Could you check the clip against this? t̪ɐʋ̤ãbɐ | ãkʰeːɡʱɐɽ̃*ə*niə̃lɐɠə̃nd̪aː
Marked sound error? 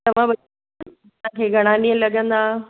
yes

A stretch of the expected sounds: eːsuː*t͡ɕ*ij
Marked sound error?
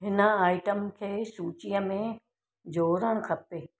no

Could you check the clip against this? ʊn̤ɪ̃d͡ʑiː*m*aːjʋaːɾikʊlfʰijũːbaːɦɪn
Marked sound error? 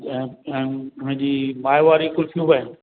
no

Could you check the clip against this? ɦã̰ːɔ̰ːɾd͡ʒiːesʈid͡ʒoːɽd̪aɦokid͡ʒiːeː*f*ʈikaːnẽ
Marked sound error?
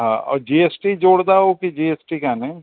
yes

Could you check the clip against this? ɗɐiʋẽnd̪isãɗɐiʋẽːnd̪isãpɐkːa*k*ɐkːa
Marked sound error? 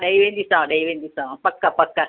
yes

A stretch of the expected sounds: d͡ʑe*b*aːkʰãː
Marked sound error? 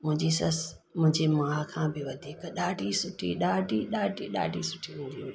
yes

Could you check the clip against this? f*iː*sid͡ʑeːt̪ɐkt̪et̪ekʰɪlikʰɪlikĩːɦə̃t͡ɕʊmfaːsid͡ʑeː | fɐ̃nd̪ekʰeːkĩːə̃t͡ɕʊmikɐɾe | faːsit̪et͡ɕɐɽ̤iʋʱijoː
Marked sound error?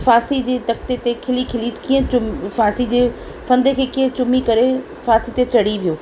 yes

